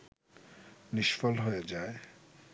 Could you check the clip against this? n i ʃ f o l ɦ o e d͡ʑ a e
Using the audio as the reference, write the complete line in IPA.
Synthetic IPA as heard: n i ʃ f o l ɦ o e d͡ʑ a e